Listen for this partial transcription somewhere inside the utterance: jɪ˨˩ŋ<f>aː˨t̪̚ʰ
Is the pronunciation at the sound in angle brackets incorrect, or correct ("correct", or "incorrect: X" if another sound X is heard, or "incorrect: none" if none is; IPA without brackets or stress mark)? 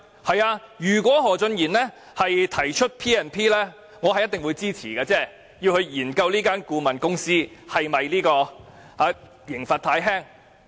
correct